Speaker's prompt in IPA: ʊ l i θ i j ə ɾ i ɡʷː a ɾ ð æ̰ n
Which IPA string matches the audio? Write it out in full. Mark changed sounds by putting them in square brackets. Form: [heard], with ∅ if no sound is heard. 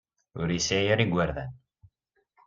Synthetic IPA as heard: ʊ [ɾ] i [s] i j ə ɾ i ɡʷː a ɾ ð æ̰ n